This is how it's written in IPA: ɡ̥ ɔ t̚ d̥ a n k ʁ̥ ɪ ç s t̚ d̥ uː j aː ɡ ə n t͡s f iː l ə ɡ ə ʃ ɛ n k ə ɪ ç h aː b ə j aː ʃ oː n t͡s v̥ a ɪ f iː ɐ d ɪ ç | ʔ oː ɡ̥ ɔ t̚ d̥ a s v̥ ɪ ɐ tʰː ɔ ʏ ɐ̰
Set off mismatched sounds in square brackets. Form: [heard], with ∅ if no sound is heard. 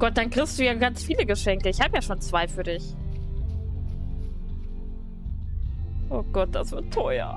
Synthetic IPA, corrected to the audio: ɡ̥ ɔ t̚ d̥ a n k ʁ̥ ɪ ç s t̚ d̥ uː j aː ɡ [a] n t͡s f iː l ə ɡ ə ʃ ɛ [ŋ] k ə ɪ ç h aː b ə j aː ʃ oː n t͡s v̥ a ɪ f [yː] ɐ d ɪ ç | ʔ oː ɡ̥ ɔ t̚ d̥ a s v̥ ɪ ɐ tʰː ɔ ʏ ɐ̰